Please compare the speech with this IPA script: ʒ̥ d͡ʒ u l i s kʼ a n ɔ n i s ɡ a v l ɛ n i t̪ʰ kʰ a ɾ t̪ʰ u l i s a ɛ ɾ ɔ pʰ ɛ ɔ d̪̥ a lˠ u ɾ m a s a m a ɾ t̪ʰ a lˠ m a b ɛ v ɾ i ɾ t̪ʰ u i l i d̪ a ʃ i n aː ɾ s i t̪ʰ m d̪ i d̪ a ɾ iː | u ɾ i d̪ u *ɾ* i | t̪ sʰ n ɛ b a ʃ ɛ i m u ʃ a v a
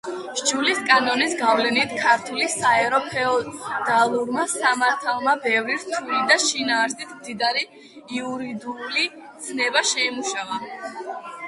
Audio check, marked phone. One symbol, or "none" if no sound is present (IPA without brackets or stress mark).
l